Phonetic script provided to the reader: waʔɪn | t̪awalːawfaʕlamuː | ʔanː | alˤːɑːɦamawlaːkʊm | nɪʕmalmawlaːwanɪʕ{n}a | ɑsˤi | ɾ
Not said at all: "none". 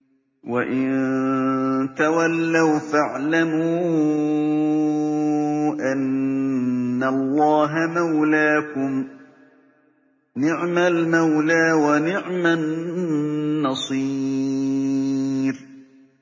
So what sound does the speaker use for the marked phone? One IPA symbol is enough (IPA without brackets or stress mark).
m